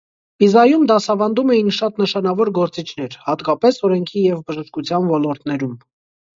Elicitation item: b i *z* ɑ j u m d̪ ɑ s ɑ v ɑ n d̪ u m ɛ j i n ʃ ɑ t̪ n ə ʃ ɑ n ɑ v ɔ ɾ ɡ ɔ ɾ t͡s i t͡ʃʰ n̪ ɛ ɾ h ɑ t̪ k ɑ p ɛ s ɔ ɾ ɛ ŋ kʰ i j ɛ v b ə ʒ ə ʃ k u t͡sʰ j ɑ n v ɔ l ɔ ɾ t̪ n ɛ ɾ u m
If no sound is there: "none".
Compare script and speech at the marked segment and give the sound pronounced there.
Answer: z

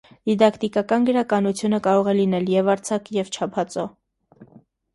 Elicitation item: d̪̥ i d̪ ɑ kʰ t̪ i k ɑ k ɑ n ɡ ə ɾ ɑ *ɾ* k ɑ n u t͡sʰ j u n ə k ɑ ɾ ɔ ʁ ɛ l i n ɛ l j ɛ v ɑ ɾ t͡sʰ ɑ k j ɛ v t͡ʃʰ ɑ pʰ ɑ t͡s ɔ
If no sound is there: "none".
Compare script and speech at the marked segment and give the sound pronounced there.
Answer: none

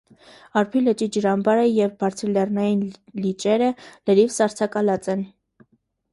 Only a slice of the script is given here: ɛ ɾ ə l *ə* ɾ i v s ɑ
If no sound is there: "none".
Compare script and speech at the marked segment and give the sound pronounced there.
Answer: ə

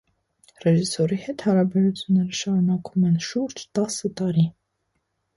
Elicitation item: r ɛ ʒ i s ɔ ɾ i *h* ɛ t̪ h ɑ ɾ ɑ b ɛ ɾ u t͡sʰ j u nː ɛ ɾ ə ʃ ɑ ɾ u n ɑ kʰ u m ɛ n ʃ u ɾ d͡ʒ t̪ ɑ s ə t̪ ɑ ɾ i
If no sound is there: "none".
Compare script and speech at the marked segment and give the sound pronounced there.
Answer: h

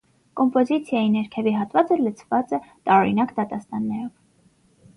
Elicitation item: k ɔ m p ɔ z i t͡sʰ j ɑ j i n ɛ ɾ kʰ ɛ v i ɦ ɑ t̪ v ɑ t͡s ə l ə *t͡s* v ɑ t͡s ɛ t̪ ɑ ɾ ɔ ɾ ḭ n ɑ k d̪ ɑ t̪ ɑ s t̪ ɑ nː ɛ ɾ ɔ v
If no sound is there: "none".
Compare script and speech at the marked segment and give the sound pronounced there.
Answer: t͡sʰ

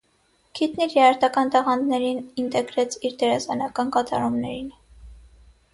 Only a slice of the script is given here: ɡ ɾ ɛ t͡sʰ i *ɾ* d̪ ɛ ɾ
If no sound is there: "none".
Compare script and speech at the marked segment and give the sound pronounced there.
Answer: ɾ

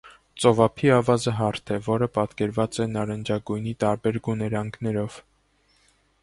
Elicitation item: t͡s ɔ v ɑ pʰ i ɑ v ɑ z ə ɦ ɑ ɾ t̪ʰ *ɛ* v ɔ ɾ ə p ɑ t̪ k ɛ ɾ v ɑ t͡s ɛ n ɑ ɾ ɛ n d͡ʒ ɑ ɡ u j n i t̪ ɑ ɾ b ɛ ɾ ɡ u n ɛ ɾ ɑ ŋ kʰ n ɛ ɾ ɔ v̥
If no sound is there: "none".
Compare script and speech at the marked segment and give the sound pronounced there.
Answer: ɛ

